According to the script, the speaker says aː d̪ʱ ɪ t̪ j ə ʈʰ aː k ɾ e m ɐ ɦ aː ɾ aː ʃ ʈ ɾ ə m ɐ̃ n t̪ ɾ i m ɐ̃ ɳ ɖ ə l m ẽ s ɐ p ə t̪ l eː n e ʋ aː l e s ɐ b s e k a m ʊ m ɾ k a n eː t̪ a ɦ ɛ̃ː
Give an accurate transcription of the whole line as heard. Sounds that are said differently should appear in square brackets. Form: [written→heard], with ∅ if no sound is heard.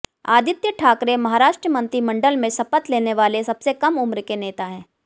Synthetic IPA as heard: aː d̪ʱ ɪ t̪ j ə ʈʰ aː k ɾ e m ɐ ɦ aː ɾ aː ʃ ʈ ɾ ə m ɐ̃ n t̪ ɾ i m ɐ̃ ɳ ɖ ə l m ẽ s ɐ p ə t̪ l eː n e ʋ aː l e s ɐ b s e k [a→ɐ] m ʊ m ɾ k [a→e] n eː t̪ a ɦ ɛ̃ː

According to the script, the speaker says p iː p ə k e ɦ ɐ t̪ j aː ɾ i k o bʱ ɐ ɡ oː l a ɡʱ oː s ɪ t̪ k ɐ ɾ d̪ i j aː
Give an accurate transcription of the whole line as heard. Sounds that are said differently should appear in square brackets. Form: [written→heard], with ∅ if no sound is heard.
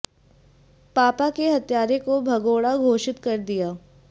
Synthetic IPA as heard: p [iː→aː] p [ə→a] k e ɦ ɐ t̪ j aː ɾ [i→e] k o bʱ ɐ ɡ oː [l→ɽ] a ɡʱ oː [s→ʃ] ɪ t̪ k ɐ ɾ d̪ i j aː

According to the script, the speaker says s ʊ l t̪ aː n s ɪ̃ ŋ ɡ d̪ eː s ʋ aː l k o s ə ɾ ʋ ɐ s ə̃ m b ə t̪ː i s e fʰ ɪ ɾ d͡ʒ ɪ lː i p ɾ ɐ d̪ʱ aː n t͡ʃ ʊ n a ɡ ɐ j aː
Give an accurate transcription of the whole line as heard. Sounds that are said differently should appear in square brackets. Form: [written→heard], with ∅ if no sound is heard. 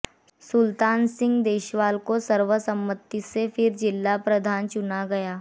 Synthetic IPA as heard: s ʊ l t̪ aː n s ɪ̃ ŋ ɡ d̪ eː [s→ʃ] ʋ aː l k o s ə ɾ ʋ [ɐ→ə] s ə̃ m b ə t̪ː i s e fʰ ɪ ɾ d͡ʒ ɪ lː [i→a] p ɾ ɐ d̪ʱ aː n t͡ʃ ʊ n a ɡ ɐ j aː

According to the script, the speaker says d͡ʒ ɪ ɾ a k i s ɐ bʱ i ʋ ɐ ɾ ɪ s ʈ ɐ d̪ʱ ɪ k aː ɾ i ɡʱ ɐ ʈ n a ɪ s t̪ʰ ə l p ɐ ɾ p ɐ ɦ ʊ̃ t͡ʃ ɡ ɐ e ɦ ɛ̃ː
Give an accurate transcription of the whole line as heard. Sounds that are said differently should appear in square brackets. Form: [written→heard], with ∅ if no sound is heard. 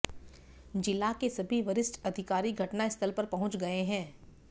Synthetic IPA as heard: d͡ʒ ɪ [ɾ→l] a k [i→e] s ɐ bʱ i ʋ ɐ ɾ ɪ s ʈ ɐ d̪ʱ ɪ k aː ɾ i ɡʱ ɐ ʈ n a ɪ s t̪ʰ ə l p ɐ ɾ p ɐ ɦ ʊ̃ t͡ʃ ɡ ɐ e ɦ ɛ̃ː

